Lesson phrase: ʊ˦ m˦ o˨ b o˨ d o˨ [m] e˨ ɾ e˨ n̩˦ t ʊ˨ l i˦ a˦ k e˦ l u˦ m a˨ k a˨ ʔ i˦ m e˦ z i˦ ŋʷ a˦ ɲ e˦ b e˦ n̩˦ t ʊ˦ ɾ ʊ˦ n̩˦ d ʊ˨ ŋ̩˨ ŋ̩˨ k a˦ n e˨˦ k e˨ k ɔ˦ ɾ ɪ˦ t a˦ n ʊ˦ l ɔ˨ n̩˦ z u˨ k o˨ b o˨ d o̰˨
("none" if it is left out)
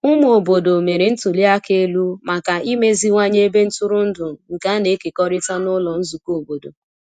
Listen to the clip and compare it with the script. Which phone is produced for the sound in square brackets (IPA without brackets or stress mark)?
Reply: m